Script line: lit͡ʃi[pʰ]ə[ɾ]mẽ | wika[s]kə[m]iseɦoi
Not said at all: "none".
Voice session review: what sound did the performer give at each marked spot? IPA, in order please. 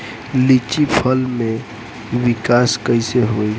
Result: pʰ, l, s, none

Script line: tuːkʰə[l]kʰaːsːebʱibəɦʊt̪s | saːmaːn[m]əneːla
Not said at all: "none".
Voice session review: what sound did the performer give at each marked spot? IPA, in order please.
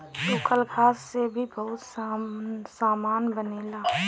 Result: l, b

